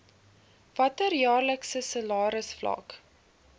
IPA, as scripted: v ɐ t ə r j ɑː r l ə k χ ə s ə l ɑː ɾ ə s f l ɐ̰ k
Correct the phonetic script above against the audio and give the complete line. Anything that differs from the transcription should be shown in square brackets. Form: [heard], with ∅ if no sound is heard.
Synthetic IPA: v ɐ t ə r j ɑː r l ə k [s] ə s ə l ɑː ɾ ə s f l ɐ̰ k